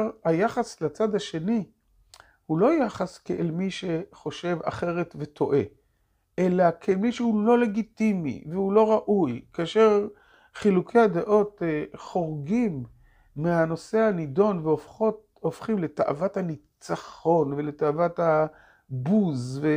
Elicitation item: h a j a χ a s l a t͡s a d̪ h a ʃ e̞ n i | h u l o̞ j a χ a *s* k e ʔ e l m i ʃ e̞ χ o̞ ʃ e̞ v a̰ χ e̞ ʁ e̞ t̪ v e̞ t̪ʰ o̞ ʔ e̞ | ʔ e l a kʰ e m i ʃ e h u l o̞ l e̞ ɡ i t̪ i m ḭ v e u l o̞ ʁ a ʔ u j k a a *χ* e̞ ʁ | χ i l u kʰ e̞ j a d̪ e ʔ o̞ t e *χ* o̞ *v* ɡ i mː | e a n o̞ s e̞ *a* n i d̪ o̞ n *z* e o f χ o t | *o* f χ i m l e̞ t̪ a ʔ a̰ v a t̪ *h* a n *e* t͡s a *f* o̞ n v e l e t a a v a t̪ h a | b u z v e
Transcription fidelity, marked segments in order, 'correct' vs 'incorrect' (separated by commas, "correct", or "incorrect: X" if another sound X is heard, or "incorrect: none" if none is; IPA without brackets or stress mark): correct, incorrect: ʃ, correct, incorrect: ʁ, correct, incorrect: v, correct, correct, incorrect: i, incorrect: χ